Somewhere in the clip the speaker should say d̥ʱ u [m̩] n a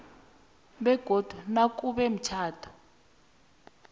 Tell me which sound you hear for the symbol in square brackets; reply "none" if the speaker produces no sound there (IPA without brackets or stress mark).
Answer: none